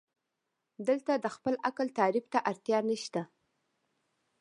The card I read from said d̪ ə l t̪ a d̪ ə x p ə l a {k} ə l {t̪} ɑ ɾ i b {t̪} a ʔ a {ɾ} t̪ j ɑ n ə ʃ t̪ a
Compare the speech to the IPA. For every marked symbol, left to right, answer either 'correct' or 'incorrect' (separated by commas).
correct, correct, correct, correct